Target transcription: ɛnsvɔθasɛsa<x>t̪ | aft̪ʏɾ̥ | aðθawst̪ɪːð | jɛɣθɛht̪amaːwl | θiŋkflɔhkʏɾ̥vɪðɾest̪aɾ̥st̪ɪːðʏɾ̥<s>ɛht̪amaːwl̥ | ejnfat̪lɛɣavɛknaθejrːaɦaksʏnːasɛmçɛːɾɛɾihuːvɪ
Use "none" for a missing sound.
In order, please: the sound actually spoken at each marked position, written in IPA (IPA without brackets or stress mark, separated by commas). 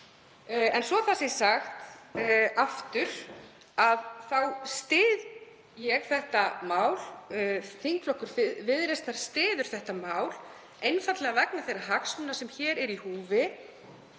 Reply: x, θ